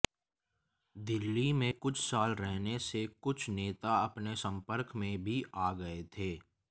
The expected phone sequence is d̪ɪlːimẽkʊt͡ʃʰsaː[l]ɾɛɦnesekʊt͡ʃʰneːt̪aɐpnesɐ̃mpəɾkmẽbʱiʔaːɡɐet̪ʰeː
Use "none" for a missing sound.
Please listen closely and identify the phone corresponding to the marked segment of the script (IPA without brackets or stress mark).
l